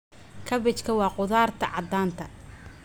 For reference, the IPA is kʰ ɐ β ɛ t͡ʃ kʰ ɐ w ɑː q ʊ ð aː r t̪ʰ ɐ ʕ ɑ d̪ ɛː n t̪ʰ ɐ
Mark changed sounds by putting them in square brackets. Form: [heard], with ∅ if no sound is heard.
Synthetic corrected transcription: kʰ ɐ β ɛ t͡ʃ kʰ ɐ w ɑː q ʊ ð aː r t̪ʰ ɐ ʕ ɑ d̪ [aː] n t̪ʰ ɐ